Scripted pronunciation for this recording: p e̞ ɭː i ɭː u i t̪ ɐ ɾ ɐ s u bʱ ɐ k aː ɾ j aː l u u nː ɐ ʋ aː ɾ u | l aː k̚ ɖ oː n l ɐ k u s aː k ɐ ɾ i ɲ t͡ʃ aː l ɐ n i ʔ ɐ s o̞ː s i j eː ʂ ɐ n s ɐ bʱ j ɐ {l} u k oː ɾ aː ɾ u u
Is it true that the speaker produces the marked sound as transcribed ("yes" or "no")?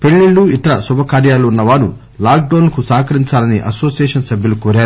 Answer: yes